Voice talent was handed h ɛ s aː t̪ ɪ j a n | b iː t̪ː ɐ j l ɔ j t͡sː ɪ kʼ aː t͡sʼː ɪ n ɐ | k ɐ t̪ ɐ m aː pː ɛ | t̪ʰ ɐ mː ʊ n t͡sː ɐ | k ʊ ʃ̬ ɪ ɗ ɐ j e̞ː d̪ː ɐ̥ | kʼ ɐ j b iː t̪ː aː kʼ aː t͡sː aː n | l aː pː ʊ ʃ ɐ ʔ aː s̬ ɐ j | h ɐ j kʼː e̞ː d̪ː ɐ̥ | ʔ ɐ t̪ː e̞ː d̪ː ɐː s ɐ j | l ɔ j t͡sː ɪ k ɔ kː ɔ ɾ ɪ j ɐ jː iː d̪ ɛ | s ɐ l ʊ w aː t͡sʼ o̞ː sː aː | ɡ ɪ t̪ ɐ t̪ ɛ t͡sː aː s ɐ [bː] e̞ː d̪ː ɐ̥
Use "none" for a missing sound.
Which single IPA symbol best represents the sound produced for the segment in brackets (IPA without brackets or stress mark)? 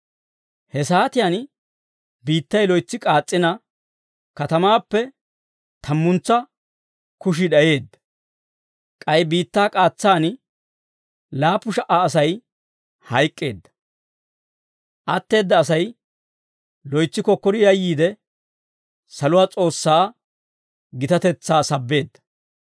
bː